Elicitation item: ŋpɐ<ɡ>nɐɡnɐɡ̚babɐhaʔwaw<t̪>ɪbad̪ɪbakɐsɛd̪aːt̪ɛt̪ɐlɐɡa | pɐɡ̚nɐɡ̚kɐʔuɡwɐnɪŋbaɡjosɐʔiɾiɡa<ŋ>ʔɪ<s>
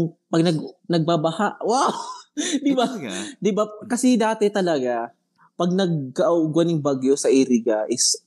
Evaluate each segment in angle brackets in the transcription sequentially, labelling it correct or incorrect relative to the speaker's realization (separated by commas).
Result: correct, incorrect, incorrect, correct